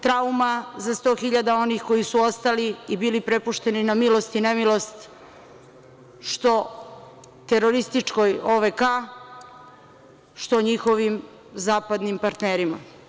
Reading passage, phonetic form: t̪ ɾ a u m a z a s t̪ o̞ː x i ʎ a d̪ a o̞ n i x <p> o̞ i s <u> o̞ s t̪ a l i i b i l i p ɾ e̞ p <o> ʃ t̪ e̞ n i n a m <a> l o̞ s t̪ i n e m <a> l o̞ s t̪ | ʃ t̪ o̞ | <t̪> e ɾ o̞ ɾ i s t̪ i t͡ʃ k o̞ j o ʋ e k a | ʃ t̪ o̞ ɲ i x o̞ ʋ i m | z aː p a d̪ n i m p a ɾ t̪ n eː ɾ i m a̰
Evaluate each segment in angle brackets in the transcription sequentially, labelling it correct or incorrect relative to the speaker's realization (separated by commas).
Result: incorrect, correct, incorrect, incorrect, incorrect, correct